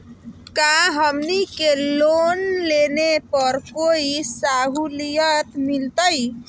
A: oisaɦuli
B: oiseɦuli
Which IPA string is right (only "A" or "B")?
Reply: A